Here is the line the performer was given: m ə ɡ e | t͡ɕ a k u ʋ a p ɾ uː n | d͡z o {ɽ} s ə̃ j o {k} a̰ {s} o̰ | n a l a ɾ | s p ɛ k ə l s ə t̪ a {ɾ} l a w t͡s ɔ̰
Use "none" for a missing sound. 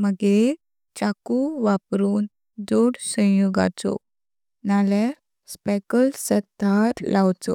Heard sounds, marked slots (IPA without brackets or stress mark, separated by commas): ɽ, ɡ, t͡s, ɾ